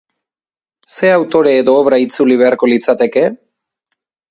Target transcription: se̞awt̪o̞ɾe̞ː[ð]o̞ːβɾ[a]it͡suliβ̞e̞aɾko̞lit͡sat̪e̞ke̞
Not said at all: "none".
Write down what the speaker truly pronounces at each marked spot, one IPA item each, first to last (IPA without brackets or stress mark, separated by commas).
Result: ð, a